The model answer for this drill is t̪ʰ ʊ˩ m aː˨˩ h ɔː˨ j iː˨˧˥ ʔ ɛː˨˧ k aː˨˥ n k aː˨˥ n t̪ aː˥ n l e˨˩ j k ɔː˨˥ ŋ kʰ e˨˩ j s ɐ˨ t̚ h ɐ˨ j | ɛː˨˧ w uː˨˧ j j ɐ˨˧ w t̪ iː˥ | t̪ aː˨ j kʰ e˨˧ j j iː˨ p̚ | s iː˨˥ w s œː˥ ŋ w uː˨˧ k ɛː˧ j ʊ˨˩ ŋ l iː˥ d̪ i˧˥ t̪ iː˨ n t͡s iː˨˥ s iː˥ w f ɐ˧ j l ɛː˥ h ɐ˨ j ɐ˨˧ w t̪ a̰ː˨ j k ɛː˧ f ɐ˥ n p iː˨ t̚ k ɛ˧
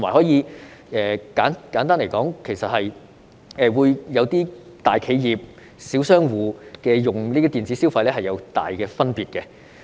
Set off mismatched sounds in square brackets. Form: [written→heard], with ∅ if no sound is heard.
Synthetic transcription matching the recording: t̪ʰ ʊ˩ m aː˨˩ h [ɔː˨→ɔː˨˥] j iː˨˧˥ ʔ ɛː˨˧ k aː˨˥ n k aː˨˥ n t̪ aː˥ n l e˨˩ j k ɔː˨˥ ŋ kʰ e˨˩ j s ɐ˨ t̚ h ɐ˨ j | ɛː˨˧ w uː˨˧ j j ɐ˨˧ w t̪ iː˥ | t̪ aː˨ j kʰ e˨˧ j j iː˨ p̚ | s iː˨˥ w s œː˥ ŋ w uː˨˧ k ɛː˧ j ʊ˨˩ ŋ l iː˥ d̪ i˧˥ t̪ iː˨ n t͡s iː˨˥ s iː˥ w f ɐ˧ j l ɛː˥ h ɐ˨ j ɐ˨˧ w t̪ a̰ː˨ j k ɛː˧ f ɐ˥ n p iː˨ t̚ k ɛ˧